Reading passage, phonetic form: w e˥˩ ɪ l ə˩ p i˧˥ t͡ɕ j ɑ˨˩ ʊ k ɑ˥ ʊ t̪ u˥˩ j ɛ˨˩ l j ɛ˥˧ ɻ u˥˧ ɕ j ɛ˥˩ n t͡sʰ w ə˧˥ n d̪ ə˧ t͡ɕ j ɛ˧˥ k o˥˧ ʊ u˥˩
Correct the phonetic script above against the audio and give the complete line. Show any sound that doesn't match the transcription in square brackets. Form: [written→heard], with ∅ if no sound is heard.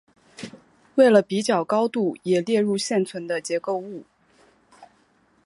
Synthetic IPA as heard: w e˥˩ ɪ l ə˩ p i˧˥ t͡ɕ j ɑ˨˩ ʊ k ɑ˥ ʊ t̪ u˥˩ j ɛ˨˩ l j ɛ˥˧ ɻ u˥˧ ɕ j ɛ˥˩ n t͡sʰ w ə˧˥ n d̪ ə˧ t͡ɕ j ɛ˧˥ k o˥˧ ʊ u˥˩